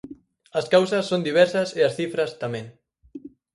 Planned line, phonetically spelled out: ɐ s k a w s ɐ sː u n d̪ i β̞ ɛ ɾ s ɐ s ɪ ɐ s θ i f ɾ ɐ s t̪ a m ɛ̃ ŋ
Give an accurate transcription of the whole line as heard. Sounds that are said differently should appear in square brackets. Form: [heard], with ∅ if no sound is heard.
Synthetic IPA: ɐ s k a w s ɐ sː [o] n d̪ i β̞ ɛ ɾ s ɐ s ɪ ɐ s θ i f ɾ ɐ s t̪ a m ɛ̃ ŋ

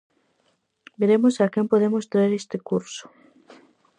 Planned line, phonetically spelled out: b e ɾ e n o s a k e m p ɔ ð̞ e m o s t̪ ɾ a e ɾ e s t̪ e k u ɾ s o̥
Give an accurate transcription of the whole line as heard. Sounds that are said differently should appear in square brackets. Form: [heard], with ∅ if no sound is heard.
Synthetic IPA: b e ɾ e [m] o s a k e m p [o] ð̞ e m o s t̪ ɾ a e ɾ e s t̪ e k u ɾ s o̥

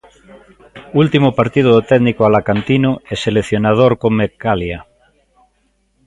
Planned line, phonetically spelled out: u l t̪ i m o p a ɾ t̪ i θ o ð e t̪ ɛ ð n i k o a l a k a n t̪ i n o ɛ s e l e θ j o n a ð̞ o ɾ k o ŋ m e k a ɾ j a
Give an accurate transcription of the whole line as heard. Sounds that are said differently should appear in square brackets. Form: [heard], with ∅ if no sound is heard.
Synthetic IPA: u l t̪ i m o p a ɾ t̪ i [ð] o ð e t̪ ɛ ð n i k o a l a k a n t̪ i n o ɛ s e l e θ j o n a ð̞ o ɾ k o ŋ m e k a [l] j a

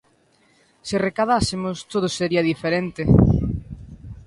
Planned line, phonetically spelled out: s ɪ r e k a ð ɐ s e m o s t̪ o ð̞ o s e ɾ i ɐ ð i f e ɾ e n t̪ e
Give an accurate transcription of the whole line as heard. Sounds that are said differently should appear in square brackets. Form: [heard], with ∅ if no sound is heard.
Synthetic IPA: s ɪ r e k a ð [a] s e m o s t̪ o ð̞ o s e ɾ i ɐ ð i f e ɾ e n t̪ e

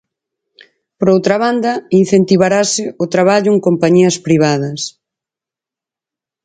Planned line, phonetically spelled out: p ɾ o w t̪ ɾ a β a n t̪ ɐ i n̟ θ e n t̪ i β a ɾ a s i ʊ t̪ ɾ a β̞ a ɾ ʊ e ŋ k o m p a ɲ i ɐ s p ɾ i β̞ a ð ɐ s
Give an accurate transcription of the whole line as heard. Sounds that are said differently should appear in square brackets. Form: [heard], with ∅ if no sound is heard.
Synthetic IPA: p ɾ o w t̪ ɾ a β a n [d̪] ɐ i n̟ θ e n t̪ i β a ɾ a s [ɪ] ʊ t̪ ɾ a β̞ a [ʎ] ʊ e ŋ k o m p a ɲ i ɐ s p ɾ i β̞ a ð ɐ s

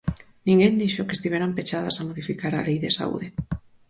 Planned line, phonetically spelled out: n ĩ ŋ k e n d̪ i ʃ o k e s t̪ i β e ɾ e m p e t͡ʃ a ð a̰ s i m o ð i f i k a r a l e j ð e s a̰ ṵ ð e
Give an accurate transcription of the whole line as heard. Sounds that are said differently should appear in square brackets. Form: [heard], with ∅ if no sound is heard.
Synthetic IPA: n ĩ ŋ [ɡ] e n d̪ i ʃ o k e s t̪ i β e ɾ [a] m p e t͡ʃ a ð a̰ s [a] m o ð i f i k a [ɾ] a l e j ð e s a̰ ṵ ð e

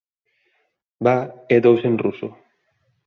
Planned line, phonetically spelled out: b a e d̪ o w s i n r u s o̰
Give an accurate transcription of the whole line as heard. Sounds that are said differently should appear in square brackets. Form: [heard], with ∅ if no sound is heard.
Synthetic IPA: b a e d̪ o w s [e] n r u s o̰

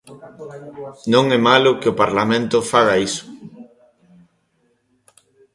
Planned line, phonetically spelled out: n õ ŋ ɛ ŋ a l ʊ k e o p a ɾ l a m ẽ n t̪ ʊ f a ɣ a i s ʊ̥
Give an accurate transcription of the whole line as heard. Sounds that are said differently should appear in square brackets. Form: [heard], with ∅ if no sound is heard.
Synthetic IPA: n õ ŋ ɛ [m] a l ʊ k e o p a ɾ l a m ẽ n t̪ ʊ f a ɣ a i s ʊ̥

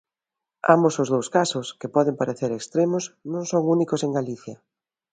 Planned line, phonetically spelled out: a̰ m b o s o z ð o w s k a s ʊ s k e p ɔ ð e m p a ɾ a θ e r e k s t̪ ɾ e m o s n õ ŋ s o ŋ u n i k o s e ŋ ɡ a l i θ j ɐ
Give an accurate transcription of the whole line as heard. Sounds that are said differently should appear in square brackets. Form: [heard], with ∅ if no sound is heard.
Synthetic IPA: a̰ m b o s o z ð o w s k a s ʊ s k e p ɔ ð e m p a ɾ [e] θ e [ɾ] e k s t̪ ɾ e m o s n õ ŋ s o ŋ u n i k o s e ŋ ɡ a l i θ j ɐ

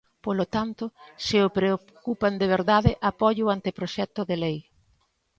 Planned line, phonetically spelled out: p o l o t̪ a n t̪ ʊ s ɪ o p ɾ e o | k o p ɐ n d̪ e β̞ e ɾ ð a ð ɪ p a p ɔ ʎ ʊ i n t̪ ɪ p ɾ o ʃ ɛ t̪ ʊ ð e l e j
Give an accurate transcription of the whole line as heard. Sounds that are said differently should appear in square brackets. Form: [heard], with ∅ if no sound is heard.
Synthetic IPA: p o l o t̪ a n t̪ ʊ s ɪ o p ɾ e o | k [u] p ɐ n d̪ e β̞ e ɾ ð a ð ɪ [ʔ] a p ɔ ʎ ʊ [a] n t̪ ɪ p ɾ o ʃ ɛ t̪ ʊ ð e l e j

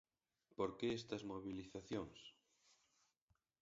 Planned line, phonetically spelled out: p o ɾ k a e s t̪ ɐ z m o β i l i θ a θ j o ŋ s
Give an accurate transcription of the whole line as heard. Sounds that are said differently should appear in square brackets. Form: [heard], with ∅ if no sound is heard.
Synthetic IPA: p o ɾ k [e] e s t̪ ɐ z m o β i l i θ a θ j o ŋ s

